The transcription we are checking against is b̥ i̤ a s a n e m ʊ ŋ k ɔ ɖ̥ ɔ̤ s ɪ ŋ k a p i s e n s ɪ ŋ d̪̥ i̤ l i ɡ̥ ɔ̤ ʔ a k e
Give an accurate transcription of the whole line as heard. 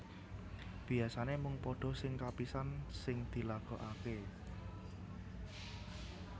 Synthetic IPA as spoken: b̥ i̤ a s a n e m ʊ ŋ p ɔ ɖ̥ ɔ̤ s ɪ ŋ k a p i s a n s ɪ ŋ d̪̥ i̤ l a ɡ̥ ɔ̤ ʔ a k e